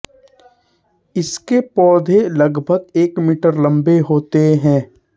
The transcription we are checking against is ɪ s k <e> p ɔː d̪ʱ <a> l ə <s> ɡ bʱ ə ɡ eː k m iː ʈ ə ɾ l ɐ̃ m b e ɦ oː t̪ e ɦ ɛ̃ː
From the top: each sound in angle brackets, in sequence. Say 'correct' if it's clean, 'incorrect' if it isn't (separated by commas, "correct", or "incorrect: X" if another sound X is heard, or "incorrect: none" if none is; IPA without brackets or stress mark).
correct, incorrect: e, incorrect: none